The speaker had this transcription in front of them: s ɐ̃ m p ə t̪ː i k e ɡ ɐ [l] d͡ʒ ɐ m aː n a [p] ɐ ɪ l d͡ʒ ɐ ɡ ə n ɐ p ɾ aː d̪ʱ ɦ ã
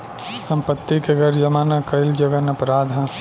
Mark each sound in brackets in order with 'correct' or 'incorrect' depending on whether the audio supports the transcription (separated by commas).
incorrect, incorrect